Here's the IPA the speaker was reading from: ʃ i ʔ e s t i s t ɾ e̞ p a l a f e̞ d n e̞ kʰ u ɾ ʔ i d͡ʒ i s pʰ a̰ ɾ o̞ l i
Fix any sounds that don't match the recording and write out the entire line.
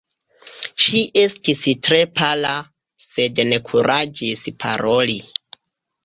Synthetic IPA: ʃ i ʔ e s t i s t ɾ e̞ p a l a s e̞ d n e̞ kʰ u ɾ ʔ a d͡ʒ i s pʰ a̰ ɾ o̞ l i